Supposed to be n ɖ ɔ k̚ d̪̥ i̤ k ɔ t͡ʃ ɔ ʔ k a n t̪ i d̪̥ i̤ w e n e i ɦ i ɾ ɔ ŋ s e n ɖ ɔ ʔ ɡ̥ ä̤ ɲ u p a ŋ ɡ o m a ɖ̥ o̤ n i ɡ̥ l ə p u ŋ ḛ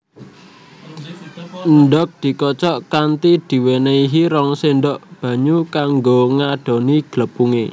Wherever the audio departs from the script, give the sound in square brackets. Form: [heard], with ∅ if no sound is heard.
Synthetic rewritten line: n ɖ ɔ k̚ d̪̥ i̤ k ɔ t͡ʃ ɔ ʔ k a n t̪ i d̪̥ i̤ w e n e i ɦ i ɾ ɔ ŋ s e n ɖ ɔ ʔ [b̥] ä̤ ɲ u [k] a ŋ ɡ o [ŋ] a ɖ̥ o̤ n i ɡ̥ l ə p u ŋ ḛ